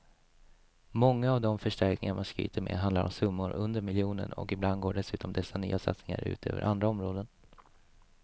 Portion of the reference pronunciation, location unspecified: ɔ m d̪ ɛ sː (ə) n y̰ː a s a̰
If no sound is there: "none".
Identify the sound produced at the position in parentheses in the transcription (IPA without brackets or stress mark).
a